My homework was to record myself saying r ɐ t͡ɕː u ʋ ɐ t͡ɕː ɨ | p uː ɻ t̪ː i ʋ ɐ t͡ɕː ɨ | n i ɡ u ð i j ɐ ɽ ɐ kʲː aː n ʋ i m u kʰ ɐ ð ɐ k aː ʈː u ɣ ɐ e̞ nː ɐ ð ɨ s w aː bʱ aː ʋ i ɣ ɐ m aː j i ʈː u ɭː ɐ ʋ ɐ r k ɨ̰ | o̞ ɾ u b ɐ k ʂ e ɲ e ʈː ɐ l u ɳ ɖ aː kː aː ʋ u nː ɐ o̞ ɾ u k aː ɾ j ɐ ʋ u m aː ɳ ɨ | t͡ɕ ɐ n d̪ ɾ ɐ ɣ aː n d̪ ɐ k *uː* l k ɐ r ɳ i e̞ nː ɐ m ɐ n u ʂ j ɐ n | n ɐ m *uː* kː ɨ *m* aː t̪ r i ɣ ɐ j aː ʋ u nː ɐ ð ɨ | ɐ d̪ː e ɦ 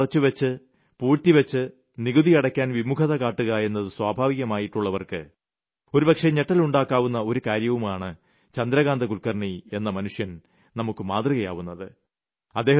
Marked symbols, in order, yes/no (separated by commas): no, no, yes